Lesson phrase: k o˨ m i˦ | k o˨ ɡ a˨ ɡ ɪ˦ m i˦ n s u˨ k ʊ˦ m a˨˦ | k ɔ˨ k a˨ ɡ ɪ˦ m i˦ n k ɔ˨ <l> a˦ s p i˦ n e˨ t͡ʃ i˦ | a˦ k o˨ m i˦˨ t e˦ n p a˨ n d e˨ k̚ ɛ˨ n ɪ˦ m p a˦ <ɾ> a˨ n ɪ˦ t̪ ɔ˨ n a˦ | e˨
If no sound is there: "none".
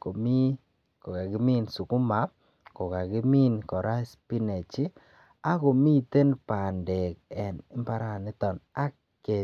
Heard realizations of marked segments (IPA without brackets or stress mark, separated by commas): ɾ, ɾ